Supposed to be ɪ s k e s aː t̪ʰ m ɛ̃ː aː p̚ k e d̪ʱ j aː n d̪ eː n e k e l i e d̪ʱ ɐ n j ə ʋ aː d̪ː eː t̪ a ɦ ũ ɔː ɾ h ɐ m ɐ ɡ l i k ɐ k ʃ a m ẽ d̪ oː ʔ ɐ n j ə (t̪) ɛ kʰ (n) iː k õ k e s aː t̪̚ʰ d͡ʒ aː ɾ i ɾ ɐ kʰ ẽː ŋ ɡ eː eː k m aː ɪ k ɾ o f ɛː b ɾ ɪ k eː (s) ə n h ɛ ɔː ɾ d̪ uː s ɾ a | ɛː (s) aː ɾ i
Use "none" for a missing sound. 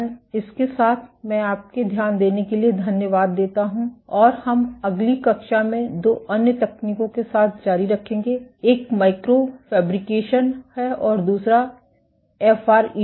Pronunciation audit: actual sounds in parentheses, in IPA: t̪, n, ʃ, f

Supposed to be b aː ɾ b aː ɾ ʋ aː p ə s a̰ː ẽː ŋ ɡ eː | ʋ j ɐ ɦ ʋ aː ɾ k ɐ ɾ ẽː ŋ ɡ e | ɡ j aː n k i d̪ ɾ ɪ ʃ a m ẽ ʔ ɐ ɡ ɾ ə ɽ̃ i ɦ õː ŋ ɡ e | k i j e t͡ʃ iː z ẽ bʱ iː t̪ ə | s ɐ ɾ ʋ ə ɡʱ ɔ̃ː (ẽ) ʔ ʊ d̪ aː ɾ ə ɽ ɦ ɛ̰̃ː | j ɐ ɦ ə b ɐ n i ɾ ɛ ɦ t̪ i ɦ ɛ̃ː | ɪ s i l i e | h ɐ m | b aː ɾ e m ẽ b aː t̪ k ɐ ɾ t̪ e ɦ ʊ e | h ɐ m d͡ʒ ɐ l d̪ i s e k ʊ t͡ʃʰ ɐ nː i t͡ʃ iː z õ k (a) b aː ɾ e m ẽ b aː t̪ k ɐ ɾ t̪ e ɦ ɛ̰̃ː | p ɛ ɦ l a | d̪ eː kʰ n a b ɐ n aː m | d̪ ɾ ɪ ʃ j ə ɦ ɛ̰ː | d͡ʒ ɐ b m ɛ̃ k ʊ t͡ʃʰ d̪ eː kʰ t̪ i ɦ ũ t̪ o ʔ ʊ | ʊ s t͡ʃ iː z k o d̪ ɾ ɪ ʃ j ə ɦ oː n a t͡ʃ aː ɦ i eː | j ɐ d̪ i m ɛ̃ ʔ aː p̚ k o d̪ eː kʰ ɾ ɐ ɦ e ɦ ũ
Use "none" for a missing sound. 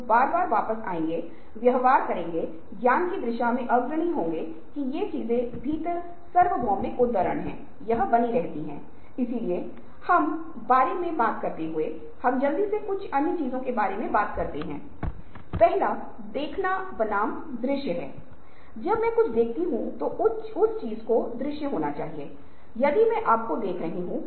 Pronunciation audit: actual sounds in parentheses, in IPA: ẽ, e

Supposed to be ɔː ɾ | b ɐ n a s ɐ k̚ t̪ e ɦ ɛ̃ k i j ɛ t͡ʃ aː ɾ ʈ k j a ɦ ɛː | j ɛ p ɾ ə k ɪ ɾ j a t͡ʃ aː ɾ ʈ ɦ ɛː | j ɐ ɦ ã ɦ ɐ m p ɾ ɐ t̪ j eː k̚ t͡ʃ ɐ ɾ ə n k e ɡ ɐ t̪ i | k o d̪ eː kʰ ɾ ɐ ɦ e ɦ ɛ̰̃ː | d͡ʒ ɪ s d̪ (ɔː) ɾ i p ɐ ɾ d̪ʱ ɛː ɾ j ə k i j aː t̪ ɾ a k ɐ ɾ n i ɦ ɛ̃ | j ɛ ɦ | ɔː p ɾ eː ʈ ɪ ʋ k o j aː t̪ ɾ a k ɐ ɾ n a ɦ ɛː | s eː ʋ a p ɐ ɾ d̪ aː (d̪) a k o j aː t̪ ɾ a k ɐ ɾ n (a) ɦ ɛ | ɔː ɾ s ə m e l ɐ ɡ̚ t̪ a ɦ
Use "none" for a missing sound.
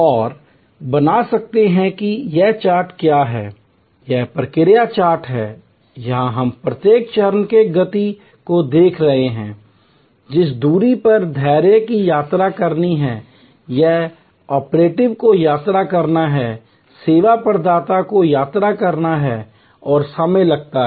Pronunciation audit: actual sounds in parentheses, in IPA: uː, t̪, a

